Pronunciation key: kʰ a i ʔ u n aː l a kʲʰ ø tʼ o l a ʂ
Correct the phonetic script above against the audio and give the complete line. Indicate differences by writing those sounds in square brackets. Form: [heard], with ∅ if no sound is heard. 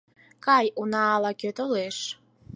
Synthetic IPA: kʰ a [j] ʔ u n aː l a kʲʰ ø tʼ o l [e] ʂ